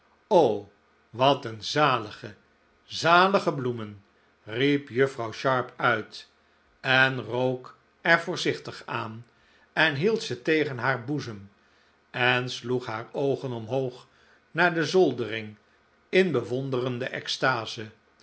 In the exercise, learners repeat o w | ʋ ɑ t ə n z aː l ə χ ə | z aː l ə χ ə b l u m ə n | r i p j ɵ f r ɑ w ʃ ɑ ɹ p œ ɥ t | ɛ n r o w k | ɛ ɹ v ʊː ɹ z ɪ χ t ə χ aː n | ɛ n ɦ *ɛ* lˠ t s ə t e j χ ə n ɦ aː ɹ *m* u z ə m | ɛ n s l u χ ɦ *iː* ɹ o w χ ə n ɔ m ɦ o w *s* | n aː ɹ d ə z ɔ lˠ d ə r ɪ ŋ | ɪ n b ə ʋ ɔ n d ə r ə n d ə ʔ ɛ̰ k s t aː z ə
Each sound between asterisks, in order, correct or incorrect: incorrect, incorrect, incorrect, incorrect

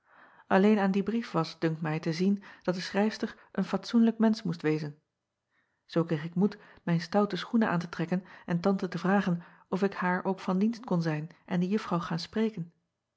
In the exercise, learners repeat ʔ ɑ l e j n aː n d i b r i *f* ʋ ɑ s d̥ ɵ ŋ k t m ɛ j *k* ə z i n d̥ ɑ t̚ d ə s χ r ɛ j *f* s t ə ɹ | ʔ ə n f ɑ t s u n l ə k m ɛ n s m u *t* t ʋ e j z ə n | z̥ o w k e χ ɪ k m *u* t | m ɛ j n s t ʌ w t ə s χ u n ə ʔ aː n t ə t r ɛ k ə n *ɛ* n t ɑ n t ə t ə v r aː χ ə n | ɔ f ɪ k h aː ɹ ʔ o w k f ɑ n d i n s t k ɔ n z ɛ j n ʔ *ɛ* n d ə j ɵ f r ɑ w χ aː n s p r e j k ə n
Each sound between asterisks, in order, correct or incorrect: correct, incorrect, correct, incorrect, correct, correct, correct

